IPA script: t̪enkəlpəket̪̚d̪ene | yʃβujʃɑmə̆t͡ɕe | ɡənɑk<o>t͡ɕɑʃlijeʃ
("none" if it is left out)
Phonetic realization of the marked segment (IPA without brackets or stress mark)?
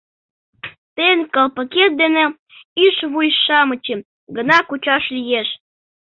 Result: u